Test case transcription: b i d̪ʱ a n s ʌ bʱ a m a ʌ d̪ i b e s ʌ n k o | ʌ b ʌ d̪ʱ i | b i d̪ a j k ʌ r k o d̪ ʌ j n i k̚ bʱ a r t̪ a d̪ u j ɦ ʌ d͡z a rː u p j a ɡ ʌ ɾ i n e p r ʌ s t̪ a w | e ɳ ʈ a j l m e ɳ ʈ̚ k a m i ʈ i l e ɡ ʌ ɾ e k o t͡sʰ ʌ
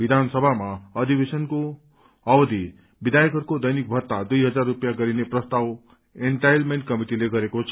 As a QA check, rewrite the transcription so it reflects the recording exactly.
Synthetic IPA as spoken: b i d̪ʱ a n s ʌ bʱ a m a ʌ d̪ i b e s ʌ n k o | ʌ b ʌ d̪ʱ i | b i d̪ a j k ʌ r k o d̪ ʌ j n i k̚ bʱ ʌ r t̪ a d̪ u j ɦ ʌ d͡z a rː u p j a ɡ ʌ ɾ i n e p r ʌ s t̪ a w | e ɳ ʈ a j l m e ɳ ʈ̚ k ʌ m i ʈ i l e ɡ ʌ ɾ e k o t͡sʰ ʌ